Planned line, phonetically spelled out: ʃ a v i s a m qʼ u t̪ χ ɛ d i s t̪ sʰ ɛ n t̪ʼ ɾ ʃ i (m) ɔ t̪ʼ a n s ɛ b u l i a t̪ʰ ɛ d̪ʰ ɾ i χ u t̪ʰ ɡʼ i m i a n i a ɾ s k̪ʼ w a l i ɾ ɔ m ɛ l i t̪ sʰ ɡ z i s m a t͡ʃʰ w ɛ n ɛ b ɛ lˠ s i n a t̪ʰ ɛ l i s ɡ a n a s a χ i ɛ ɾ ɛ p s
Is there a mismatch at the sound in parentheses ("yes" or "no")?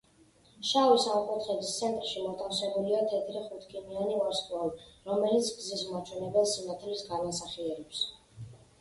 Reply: no